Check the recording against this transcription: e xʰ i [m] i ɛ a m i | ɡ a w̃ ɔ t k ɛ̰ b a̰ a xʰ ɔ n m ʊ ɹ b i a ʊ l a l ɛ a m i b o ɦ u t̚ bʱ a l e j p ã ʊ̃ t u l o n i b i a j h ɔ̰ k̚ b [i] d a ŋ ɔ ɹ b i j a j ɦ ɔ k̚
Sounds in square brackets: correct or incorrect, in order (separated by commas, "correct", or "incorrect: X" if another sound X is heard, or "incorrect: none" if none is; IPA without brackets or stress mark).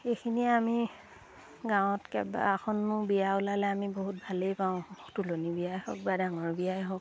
incorrect: n, incorrect: a